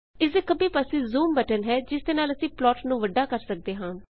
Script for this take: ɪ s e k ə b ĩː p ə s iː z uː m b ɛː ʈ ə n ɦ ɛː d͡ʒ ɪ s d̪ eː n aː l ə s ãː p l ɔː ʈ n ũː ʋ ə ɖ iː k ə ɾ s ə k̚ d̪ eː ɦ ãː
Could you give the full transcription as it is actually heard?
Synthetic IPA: ɪ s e k ə b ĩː p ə s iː z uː m b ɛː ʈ ə n ɦ ɛː d͡ʒ ɪ s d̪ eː n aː l ə s ĩː p l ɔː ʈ n ũː ʋ ə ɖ aː k ə ɾ s ə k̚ d̪ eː ɦ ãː